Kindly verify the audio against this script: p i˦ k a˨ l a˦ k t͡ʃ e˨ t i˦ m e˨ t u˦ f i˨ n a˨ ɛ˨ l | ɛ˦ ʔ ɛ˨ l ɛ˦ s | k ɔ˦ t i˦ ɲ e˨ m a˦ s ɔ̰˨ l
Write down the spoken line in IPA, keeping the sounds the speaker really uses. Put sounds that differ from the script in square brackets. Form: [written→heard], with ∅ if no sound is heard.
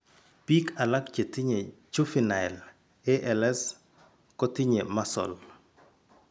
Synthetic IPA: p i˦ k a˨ l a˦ k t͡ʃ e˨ t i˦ [m→ɲ] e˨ [t→t͡ʃ] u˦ f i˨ n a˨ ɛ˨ l | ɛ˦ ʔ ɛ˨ l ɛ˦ s | k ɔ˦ t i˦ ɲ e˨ m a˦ s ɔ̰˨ l